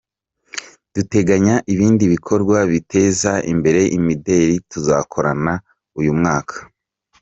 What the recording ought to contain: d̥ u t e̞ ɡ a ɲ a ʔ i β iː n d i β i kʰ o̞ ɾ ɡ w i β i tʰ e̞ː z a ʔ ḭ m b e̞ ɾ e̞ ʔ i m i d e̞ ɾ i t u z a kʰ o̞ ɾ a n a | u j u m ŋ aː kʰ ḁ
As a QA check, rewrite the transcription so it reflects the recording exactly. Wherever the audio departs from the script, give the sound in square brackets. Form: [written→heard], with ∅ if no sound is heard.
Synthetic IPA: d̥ u t e̞ ɡ a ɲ a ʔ i β iː n d i β i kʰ o̞ ɾ ɡ w [i→a] β i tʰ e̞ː z a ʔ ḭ m b e̞ ɾ e̞ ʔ i m i d e̞ ɾ i t u z a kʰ o̞ ɾ a n a | u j u m ŋ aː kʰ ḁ